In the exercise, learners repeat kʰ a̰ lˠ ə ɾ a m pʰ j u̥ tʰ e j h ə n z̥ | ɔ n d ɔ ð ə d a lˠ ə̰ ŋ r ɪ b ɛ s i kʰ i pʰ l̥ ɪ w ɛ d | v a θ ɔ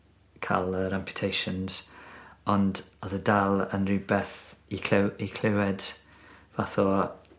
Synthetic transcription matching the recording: kʰ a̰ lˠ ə ɾ a m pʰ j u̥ tʰ e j ʃ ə n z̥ | ɔ n d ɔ ð ə d a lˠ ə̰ n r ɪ b ɛ θ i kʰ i kʰ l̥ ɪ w ɛ d | v a θ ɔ